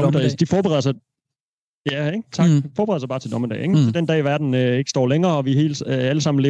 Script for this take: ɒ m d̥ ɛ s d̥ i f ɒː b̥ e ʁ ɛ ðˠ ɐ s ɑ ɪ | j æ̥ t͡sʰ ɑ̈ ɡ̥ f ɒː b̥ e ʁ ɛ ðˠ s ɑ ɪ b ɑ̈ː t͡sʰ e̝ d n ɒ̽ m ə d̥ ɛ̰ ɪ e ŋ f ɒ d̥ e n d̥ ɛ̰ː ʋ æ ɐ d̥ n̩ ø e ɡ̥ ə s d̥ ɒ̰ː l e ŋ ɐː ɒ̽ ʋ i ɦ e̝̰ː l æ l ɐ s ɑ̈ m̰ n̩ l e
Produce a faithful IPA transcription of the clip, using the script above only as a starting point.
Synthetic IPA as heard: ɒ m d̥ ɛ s d̥ i f ɒː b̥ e ʁ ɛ ðˠ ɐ s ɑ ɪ | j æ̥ t͡sʰ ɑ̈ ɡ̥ f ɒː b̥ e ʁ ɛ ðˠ s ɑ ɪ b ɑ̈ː t͡sʰ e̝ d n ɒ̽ m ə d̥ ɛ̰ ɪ e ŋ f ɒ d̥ e n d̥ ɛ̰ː ʋ æ ɐ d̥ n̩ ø e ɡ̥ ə s d̥ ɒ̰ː l e ŋ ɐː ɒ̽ ʋ i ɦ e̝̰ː l æ l ə s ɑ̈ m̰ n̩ l e